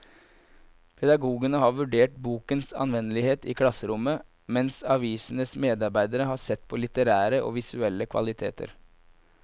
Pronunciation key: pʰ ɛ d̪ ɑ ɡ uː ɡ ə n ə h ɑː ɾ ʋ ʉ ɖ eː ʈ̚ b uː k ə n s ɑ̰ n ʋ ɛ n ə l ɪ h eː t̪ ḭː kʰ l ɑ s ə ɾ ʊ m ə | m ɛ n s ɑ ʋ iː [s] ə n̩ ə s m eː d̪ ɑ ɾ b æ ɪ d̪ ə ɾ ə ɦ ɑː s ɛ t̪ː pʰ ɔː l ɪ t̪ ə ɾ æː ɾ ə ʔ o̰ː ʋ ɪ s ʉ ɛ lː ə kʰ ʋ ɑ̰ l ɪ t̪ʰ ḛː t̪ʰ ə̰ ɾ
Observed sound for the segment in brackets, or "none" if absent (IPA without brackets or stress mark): s